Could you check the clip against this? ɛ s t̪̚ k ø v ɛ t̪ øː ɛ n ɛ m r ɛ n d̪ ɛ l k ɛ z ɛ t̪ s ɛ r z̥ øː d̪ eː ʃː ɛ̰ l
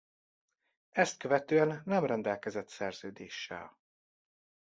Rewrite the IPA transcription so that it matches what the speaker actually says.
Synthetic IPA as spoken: ɛ s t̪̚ k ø v ɛ t̪ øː ɛ nː ɛ m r ɛ n d̪ ɛ l k ɛ z ɛ t̪ s ɛ r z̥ øː d̪ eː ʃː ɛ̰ l